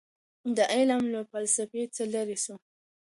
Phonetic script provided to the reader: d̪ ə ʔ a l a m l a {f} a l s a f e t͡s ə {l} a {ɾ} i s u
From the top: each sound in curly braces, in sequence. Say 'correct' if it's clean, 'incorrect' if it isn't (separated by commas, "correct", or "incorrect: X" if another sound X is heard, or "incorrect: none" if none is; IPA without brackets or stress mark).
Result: correct, correct, correct